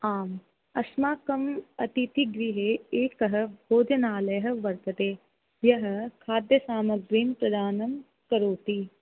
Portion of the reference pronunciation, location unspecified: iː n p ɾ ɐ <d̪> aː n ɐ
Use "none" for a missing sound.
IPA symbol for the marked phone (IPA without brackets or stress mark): d̪